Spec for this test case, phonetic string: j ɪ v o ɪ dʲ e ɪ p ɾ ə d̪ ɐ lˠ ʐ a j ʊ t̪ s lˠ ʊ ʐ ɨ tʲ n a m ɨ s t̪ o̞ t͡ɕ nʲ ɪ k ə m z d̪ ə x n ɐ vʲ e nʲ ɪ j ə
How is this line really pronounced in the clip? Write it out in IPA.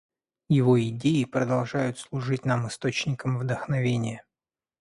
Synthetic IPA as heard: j ɪ v o ɪ dʲ e ɪ p ɾ ə d̪ ɐ lˠ ʐ a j ʊ t̪ s lˠ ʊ ʐ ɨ tʲ n a m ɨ s t̪ o̞ t͡ɕ nʲ ɪ k ə m v d̪ ə x n ɐ vʲ e nʲ ɪ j ə